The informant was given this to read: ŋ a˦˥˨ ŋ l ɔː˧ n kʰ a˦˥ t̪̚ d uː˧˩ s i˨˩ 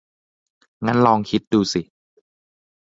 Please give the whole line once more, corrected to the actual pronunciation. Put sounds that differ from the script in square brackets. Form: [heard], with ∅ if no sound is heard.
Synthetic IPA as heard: ŋ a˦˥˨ [n] l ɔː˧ [ŋ] kʰ [i˦˥] t̪̚ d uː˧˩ s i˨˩